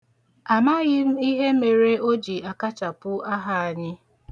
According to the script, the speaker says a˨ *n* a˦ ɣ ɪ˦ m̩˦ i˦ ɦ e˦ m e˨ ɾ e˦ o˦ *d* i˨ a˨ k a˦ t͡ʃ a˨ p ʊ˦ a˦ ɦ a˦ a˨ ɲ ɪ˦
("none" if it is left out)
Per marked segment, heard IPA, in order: m, d͡ʒ

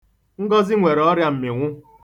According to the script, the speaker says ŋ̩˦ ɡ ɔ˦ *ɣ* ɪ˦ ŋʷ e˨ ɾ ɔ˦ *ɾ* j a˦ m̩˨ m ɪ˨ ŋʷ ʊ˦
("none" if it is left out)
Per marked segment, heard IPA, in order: z, ɾ

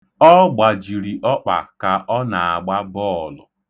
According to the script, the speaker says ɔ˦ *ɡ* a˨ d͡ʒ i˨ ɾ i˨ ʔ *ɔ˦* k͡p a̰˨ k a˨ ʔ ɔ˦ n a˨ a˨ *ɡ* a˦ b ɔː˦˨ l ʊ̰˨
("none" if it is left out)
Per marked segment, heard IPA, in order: ɡ͡b, ɔ˦, ɡ͡b

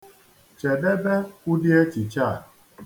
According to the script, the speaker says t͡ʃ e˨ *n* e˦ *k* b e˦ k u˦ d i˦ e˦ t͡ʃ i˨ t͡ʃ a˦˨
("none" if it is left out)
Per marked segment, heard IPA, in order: d, none

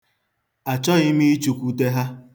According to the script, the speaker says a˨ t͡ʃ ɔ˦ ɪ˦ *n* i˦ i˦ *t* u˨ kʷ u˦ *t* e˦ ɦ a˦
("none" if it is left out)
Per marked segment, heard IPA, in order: m, t͡ʃ, t

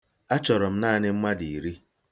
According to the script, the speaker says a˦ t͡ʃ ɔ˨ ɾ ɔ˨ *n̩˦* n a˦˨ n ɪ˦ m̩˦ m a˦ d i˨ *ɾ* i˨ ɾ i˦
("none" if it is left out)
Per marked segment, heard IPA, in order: m̩˦, none

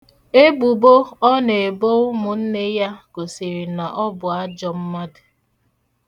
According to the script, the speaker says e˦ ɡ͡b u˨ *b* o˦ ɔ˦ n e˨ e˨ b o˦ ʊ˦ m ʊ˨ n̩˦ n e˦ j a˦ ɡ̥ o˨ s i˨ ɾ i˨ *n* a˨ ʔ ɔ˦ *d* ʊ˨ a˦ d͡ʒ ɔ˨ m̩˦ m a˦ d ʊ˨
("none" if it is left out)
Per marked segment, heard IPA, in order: b, n, b

